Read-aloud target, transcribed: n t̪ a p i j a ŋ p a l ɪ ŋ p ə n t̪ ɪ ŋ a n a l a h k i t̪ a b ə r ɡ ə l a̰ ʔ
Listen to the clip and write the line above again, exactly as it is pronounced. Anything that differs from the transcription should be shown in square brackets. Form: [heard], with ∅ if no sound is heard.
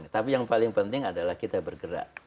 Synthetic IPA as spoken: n t̪ a p i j a ŋ p a l ɪ ŋ p ə n t̪ ɪ ŋ a [d] a l a h k i t̪ a b ə r ɡ ə [ɾ] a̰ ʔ